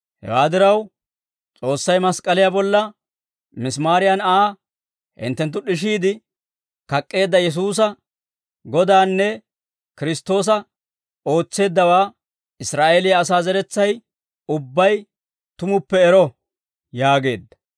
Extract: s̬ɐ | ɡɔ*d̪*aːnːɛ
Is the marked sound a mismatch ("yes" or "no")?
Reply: no